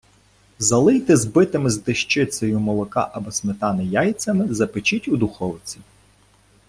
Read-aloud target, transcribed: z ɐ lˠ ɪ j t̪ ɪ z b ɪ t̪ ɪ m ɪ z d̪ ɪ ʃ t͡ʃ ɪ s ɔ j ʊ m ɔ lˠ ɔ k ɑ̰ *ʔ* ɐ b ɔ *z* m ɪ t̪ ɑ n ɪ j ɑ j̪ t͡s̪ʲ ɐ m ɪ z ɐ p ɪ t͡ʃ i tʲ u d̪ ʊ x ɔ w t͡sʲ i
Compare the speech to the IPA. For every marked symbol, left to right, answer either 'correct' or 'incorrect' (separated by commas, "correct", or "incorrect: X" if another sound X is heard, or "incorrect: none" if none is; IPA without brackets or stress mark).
correct, incorrect: s